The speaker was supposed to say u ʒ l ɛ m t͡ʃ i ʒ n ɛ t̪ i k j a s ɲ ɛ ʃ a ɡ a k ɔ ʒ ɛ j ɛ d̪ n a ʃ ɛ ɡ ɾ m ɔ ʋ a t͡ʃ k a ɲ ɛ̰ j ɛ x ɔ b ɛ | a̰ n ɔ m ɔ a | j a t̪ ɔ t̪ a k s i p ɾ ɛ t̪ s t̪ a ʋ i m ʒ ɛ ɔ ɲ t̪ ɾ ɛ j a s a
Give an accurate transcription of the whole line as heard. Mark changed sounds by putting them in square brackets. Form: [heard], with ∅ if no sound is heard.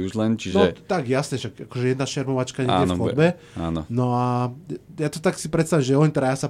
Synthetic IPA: u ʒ l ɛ [n] t͡ʃ i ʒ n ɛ t̪ [a] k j a s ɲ ɛ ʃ a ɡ a k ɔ ʒ ɛ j ɛ d̪ n a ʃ ɛ [∅] ɾ m ɔ ʋ a t͡ʃ k a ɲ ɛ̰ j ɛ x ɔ b ɛ | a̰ n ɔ [n] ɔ a | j a t̪ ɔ t̪ a k s i p ɾ ɛ t̪ s t̪ a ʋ i m ʒ ɛ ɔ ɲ t̪ ɾ [a] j a s a